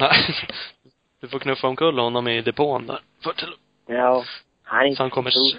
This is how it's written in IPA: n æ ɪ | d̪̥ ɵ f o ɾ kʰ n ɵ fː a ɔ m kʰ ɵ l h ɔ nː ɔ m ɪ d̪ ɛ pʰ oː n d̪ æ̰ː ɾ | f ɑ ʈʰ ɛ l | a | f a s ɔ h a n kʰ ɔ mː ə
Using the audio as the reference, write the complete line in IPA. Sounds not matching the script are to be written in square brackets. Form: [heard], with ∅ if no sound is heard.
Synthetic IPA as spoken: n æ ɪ | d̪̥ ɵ f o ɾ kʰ n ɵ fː a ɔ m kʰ ɵ [lː] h ɔ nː ɔ m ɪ d̪ ɛ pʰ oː n d̪ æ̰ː ɾ | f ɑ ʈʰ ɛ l | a | [h] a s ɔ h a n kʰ ɔ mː ə